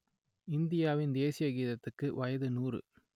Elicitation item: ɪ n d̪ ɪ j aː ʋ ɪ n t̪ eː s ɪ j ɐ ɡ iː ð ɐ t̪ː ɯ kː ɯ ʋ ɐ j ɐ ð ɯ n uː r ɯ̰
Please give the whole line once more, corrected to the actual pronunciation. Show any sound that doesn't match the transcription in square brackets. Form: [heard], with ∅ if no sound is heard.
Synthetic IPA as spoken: ɪ n d̪ ɪ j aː ʋ ɪ n [d̪] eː s ɪ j ɐ ɡ iː ð ɐ t̪ː ɯ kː ɯ ʋ ɐ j ɐ ð ɯ n uː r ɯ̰